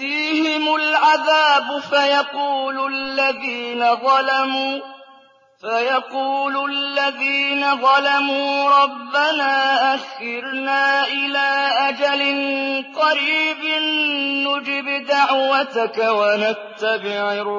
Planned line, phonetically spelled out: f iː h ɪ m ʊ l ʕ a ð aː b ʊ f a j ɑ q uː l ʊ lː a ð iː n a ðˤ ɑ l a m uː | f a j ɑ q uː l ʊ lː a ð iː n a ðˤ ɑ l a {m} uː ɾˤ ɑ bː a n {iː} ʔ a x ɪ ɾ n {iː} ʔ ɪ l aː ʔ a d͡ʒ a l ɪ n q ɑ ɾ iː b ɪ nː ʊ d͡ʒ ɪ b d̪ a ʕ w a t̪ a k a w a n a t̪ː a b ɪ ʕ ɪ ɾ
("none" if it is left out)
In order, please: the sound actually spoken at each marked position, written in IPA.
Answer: m, aː, aː

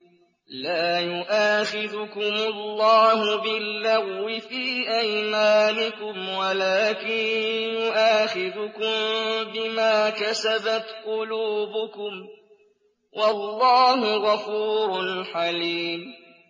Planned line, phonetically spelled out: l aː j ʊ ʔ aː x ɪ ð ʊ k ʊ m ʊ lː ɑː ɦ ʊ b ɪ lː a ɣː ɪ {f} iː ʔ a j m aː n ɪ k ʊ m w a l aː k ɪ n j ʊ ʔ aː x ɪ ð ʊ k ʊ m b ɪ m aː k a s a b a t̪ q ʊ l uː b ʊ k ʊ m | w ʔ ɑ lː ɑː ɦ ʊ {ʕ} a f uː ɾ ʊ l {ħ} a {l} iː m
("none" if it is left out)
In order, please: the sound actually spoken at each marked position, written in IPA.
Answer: f, ɣ, ħ, l

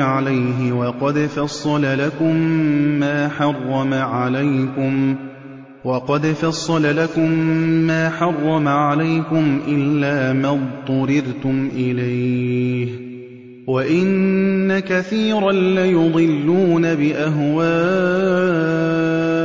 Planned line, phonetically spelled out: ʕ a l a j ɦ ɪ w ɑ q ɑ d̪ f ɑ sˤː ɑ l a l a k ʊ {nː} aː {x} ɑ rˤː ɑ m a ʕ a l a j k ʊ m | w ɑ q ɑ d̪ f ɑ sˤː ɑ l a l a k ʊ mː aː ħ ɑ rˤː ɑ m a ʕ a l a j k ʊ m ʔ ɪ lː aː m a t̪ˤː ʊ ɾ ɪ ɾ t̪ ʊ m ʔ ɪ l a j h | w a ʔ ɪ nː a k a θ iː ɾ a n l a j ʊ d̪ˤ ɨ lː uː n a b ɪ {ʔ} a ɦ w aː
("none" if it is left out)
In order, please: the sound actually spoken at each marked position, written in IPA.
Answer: mː, ħ, ʔ

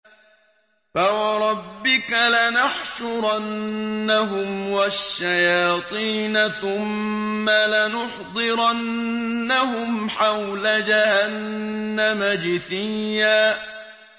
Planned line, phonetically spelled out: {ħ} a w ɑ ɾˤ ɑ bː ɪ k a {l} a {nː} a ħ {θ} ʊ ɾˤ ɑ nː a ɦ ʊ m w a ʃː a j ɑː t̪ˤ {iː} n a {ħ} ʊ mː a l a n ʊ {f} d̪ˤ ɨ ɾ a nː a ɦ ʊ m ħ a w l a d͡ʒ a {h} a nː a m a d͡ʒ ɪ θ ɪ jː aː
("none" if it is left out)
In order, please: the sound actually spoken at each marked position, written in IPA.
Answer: f, l, n, ʃ, iː, θ, ħ, h

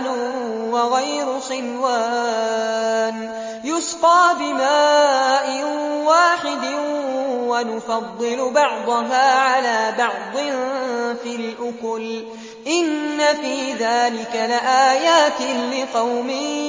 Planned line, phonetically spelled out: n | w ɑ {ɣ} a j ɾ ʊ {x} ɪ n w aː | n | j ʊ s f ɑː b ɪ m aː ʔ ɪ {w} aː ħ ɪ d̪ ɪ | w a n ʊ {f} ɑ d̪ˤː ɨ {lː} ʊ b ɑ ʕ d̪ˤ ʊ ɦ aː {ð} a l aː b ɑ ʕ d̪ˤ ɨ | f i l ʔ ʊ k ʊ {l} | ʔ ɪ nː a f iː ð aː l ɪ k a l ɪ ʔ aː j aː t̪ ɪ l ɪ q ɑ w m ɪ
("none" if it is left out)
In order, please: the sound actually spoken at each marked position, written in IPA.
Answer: ɣ, x, w, f, l, ʕ, l

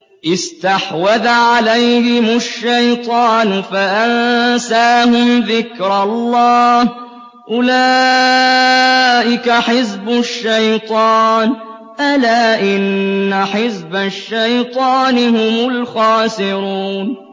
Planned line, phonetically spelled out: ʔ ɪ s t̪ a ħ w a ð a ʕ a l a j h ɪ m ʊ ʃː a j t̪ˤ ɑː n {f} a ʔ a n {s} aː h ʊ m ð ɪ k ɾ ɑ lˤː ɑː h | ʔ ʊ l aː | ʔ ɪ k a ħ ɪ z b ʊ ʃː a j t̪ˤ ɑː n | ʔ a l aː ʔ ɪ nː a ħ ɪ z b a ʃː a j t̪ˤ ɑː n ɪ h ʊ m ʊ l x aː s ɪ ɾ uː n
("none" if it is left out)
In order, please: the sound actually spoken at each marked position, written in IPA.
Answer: f, s

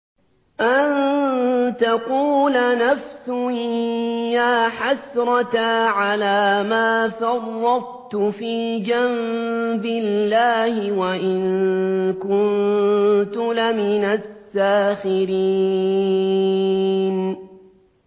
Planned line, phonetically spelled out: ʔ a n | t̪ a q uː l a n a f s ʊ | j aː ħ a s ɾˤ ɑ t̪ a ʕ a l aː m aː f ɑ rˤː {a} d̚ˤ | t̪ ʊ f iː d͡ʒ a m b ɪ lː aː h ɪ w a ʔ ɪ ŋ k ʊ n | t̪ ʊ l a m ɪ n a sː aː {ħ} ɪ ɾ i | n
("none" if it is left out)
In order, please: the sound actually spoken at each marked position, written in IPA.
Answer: ɑ, x

